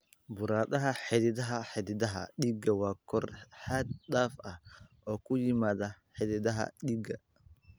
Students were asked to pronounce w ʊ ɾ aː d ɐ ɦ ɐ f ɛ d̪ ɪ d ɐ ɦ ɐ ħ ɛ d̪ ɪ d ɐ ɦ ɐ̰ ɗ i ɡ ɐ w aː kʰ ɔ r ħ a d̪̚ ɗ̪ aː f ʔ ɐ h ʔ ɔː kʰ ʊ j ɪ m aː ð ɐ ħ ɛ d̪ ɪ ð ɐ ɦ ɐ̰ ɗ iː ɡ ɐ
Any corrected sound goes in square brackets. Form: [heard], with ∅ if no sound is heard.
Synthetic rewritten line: [b] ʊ ɾ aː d ɐ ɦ ɐ [ħ] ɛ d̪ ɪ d ɐ ɦ ɐ ħ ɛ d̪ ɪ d ɐ ɦ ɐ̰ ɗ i ɡ ɐ w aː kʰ ɔ r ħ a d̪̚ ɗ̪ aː f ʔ ɐ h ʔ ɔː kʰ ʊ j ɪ m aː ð ɐ ħ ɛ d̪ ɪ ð ɐ ɦ ɐ̰ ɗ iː ɡ ɐ

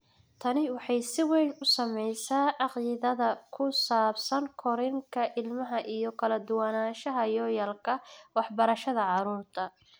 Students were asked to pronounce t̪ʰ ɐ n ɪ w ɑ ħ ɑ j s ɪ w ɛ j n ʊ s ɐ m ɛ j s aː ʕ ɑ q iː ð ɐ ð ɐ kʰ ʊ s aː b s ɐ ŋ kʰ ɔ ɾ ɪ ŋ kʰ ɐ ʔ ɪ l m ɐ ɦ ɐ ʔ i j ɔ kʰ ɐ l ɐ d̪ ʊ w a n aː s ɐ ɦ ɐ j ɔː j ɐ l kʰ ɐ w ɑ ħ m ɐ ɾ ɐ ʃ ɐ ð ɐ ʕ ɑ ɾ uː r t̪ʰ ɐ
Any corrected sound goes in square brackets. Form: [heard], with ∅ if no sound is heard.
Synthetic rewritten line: t̪ʰ ɐ n ɪ w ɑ ħ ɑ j s ɪ w ɛ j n ʊ s ɐ m ɛ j s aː ʕ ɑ q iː ð ɐ ð ɐ kʰ ʊ s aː b s ɐ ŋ kʰ ɔ ɾ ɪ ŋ kʰ ɐ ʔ ɪ l m ɐ ɦ ɐ ʔ i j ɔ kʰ ɐ l ɐ d̪ ʊ w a n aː [ʃ] ɐ ɦ ɐ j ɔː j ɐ l kʰ ɐ w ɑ ħ [b] ɐ ɾ ɐ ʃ ɐ ð ɐ ʕ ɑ ɾ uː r t̪ʰ ɐ

